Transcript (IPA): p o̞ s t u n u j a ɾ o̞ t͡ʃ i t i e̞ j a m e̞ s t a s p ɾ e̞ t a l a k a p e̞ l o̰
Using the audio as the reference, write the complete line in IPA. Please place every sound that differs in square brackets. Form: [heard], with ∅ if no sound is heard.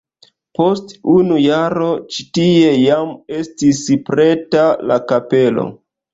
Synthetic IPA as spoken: p o̞ s t u n u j a ɾ o̞ t͡ʃ i t i e̞ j a m e̞ s t [i] s p ɾ e̞ t a l a k a p e̞ l o̰